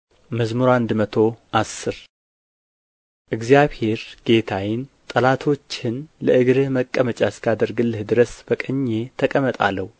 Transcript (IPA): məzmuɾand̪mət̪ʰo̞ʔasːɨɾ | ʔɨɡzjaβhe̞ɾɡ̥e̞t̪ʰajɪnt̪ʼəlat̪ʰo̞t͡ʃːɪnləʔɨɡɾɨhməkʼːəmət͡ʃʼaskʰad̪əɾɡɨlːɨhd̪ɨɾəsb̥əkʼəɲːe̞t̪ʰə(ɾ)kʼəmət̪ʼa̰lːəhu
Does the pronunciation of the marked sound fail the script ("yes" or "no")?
yes